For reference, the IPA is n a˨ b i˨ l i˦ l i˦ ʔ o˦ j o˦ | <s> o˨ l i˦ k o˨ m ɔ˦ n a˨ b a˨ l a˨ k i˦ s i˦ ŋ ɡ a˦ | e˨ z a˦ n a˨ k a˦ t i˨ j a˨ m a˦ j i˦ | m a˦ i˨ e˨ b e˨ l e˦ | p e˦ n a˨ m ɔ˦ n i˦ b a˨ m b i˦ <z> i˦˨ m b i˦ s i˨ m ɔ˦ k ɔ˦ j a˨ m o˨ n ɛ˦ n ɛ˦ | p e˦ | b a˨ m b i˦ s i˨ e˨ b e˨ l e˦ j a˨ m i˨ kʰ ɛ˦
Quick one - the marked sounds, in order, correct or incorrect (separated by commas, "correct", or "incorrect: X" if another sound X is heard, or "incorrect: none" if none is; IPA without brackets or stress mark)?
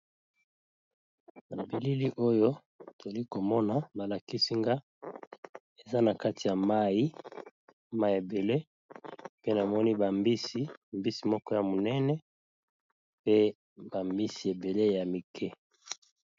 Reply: incorrect: t, incorrect: s